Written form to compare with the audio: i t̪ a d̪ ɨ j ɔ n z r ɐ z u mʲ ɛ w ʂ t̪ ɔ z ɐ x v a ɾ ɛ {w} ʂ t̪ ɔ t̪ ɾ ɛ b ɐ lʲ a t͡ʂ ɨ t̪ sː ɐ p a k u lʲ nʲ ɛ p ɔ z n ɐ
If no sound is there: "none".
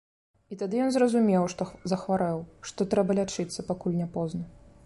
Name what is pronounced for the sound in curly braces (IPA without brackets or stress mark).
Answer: w